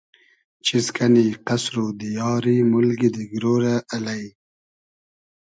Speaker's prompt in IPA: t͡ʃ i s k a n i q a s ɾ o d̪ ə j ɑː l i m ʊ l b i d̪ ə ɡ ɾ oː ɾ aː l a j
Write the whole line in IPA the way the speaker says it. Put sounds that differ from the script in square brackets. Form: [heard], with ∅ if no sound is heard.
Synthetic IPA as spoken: t͡ʃ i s k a n i q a s ɾ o d̪ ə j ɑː [ɾ] i m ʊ l [ɡ] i d̪ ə ɡ ɾ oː ɾ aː l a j